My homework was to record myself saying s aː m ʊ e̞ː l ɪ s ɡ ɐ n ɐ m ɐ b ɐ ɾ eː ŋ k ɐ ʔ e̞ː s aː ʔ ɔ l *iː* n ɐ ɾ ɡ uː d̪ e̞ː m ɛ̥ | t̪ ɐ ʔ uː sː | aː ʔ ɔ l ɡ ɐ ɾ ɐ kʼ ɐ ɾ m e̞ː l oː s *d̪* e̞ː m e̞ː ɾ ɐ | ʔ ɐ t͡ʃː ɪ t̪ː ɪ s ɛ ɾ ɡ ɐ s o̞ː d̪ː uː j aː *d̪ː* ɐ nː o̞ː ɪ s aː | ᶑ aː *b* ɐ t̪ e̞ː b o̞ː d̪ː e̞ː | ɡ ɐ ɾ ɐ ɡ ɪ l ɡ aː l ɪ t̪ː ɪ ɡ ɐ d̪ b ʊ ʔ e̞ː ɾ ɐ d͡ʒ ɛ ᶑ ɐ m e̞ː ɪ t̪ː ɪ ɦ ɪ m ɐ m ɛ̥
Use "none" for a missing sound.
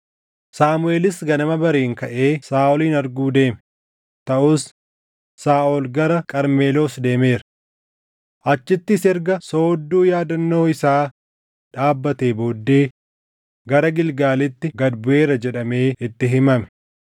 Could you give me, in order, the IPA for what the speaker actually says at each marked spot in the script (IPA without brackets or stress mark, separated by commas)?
iː, d̪, d̪, bː